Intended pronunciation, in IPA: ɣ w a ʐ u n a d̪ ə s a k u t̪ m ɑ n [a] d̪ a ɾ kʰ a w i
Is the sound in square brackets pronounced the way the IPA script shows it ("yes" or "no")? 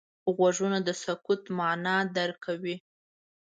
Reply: no